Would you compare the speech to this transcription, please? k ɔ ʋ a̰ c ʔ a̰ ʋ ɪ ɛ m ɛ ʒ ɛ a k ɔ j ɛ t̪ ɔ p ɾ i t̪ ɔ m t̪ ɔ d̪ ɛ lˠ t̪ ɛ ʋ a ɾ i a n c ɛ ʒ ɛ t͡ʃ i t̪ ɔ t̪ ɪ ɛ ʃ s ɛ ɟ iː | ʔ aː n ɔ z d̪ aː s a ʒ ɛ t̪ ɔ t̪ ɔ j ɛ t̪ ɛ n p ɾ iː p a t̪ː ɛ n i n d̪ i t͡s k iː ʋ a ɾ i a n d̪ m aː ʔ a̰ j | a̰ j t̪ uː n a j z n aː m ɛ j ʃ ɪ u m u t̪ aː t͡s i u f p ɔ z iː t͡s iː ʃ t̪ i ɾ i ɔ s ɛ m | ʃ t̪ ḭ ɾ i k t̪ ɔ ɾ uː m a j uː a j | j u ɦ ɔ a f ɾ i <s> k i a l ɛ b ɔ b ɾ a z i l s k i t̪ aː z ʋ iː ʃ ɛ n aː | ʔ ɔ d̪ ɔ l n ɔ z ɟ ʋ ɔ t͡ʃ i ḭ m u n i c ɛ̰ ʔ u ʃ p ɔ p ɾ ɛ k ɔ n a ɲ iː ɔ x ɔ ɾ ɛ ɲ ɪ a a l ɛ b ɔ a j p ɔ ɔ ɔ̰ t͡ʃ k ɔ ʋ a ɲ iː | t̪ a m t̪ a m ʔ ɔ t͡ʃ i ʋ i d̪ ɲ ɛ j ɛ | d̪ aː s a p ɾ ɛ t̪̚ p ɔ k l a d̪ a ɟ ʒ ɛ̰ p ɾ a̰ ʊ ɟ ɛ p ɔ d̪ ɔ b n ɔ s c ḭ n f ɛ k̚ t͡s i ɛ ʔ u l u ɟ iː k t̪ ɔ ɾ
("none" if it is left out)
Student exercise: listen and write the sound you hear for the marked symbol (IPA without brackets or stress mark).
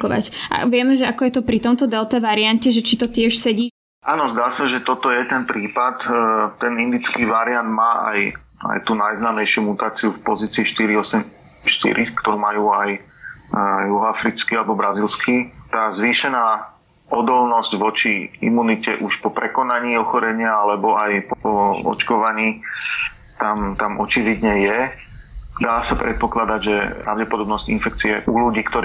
t͡s